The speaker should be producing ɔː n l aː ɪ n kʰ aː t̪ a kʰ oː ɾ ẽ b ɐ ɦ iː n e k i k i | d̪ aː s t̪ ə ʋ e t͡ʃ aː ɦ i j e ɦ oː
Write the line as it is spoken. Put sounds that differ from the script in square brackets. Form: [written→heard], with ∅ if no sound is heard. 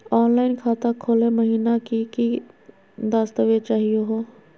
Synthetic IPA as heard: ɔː n l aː ɪ n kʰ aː t̪ a kʰ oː [ɾ→l] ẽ [b→m] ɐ ɦ iː n [e→a] k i k i | d̪ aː s t̪ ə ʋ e t͡ʃ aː ɦ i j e ɦ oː